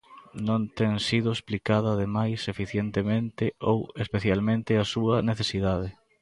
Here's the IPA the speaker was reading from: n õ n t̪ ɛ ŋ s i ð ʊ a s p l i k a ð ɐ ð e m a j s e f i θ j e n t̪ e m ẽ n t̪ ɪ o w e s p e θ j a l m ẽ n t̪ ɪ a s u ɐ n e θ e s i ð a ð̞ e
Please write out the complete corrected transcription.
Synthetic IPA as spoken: n õ n t̪ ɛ ŋ s i ð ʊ e s p l i k a ð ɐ ð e m a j s e f i θ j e n t̪ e m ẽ n t̪ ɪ o w e s p e θ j a l m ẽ n t̪ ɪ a s u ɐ n e θ e s i ð a ð̞ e

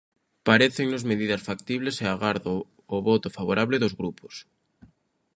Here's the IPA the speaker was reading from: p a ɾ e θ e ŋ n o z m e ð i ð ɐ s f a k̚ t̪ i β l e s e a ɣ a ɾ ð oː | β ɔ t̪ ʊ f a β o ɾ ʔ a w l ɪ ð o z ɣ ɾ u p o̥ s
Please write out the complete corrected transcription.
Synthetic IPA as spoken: p a ɾ e θ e ŋ n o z m e ð i ð ɐ s f a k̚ t̪ i β l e s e a ɣ a ɾ ð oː | β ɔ t̪ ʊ f a β o ɾ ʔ a β l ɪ ð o z ɣ ɾ u p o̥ s

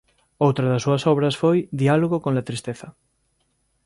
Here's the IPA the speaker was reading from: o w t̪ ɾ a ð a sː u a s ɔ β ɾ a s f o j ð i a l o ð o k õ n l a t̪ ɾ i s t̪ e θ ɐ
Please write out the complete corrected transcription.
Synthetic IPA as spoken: o w t̪ ɾ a ð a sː u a s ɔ β ɾ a s f o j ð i a l o ɣ o k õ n l a t̪ ɾ i s t̪ e θ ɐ

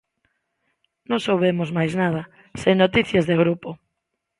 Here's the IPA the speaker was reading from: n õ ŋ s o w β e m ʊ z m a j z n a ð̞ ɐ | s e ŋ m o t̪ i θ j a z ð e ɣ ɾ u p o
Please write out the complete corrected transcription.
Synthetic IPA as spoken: n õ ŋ s o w β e m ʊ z m a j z n a ð̞ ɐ | s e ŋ n o t̪ i θ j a z ð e ɣ ɾ u p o

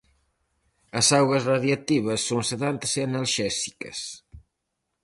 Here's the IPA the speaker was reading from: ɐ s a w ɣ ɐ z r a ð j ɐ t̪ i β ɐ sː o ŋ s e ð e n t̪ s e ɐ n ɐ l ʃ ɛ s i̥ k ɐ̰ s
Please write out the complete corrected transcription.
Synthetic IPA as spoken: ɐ s a w ɣ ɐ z r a ð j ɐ t̪ i β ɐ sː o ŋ s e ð a n t̪ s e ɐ n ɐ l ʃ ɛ s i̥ k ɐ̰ s

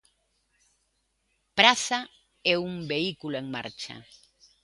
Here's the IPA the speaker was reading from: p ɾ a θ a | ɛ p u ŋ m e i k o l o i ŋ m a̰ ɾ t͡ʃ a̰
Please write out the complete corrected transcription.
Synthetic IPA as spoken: p ɾ a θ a | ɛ u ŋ b e i k u l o e ŋ m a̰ ɾ t͡ʃ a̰

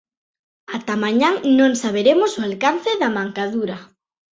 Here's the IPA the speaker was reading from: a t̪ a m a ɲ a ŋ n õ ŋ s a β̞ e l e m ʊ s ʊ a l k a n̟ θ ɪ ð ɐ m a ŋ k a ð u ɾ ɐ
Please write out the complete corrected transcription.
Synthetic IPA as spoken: a t̪ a m a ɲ a ŋ n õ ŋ s a β̞ e ɾ e m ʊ s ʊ a l k a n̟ θ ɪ ð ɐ m a ŋ k a ð u ɾ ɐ

